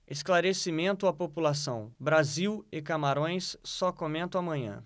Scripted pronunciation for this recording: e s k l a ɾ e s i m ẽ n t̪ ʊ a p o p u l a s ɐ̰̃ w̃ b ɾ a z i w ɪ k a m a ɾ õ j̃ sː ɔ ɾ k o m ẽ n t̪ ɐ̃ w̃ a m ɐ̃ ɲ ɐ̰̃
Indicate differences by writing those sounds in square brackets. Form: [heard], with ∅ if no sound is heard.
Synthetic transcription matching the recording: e s k l a ɾ e s i m ẽ n t̪ ʊ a p o p u l a s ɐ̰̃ w̃ b ɾ a z i w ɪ k a m a ɾ õ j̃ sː ɔ [∅] k o m ẽ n t̪ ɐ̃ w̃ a m ɐ̃ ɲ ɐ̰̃